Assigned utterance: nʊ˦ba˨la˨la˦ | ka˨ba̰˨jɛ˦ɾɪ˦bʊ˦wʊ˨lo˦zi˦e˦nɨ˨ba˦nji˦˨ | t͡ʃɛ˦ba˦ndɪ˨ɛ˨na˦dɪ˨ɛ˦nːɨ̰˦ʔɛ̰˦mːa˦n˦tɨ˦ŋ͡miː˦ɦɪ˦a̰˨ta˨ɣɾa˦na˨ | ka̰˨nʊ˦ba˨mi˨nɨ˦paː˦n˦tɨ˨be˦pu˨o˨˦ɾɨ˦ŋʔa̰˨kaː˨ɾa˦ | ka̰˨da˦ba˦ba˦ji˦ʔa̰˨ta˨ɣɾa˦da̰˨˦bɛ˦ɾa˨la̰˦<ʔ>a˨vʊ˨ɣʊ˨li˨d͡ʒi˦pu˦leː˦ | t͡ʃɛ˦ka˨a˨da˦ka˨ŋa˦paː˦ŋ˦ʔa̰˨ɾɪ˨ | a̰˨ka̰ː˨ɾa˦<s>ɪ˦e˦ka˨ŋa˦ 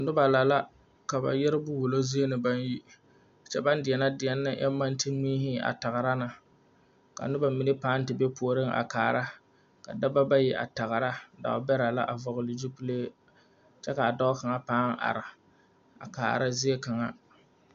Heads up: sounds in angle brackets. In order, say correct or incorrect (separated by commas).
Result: correct, incorrect